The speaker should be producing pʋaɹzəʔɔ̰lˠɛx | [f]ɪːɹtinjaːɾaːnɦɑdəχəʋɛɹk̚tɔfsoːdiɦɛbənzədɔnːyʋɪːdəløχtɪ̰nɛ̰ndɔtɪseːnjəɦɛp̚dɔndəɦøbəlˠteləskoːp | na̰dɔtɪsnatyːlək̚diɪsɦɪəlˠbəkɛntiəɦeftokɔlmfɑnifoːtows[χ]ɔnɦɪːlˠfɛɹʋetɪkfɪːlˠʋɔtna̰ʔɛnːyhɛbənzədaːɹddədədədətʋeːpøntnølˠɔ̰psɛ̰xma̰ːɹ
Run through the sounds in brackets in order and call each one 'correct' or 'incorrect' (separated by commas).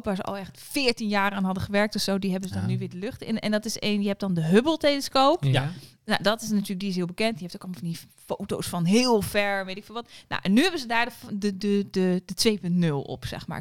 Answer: correct, incorrect